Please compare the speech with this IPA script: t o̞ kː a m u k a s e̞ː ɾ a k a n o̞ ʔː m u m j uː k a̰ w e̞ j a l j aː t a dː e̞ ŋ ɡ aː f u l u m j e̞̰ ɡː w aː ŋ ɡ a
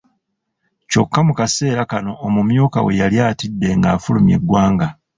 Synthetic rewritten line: c o̞ kː a m u k a s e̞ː ɾ a k a n o̞ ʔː m u m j uː k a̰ w e̞ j a l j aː t i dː e̞ ŋ ɡ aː f u l u m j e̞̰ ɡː w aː ŋ ɡ a